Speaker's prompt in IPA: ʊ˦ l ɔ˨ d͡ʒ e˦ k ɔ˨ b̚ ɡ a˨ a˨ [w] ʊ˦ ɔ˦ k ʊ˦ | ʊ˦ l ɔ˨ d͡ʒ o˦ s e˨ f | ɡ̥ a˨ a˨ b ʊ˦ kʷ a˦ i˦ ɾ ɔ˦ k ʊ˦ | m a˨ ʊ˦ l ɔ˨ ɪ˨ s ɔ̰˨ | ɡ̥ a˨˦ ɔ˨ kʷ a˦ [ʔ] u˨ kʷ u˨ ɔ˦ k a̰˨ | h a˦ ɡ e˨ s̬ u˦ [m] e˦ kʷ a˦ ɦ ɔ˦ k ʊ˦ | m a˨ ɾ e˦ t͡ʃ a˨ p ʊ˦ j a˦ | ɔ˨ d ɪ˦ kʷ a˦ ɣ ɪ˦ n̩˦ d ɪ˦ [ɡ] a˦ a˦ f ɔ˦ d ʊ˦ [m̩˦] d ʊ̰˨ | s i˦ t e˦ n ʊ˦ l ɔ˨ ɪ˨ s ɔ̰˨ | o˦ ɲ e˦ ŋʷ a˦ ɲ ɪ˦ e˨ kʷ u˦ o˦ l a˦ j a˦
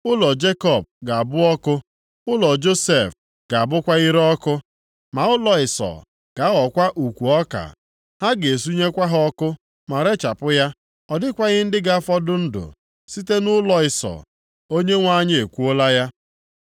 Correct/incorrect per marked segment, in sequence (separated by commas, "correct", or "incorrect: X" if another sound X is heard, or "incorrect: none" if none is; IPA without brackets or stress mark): incorrect: b, correct, incorrect: ɲ, correct, incorrect: n̩˦